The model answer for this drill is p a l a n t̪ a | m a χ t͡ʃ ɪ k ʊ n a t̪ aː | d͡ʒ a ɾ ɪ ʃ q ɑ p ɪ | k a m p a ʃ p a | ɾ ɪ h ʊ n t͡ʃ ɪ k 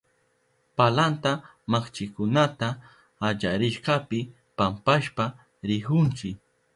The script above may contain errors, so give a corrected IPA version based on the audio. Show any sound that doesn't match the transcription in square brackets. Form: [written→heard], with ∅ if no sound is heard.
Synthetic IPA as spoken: p a l a n t̪ a | m a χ t͡ʃ ɪ k ʊ n a t̪ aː | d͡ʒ a ɾ ɪ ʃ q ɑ p ɪ | [k→p] a m p a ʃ p a | ɾ ɪ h ʊ n t͡ʃ ɪ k